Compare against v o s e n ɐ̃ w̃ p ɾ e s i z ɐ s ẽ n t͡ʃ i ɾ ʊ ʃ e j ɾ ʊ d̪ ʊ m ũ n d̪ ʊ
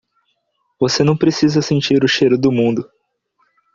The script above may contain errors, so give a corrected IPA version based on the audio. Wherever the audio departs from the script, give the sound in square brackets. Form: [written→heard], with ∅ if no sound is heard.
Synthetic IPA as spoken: v o s e n ɐ̃ w̃ p ɾ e s i z ɐ s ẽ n t͡ʃ i ɾ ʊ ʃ e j ɾ ʊ d̪ ʊ m ũ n d̪ ʊ